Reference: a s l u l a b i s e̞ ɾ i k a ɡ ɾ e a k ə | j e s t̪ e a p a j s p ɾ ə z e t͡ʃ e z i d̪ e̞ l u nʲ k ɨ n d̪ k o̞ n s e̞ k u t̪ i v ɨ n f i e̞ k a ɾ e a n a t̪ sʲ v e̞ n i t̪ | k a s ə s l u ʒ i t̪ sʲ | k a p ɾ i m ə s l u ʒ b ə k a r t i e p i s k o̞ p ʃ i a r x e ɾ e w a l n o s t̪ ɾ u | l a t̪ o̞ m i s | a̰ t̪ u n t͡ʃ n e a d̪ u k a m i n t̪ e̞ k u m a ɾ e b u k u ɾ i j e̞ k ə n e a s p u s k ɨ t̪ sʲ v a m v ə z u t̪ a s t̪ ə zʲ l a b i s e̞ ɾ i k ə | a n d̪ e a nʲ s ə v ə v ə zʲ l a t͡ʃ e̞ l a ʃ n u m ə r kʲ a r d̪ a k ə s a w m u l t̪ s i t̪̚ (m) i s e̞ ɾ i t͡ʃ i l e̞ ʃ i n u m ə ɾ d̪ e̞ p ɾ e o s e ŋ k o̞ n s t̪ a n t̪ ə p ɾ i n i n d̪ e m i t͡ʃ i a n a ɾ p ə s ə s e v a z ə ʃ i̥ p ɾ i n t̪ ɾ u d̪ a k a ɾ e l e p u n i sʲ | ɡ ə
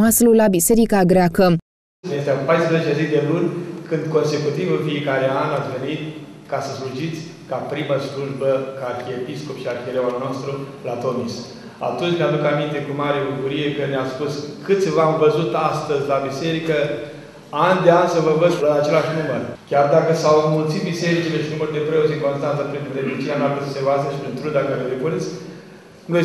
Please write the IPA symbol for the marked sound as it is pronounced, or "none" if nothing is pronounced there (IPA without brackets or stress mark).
b